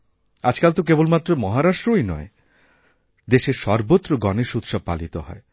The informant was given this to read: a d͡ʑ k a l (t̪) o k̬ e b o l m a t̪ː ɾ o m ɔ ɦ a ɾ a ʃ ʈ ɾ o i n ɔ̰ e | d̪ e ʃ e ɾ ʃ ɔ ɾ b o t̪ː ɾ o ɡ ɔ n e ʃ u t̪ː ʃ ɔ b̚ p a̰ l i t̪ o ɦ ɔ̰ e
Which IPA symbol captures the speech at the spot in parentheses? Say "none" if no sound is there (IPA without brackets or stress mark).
t̪